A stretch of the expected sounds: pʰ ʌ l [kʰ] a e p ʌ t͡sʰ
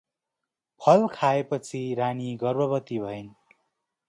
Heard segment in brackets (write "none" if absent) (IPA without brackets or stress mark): kʰ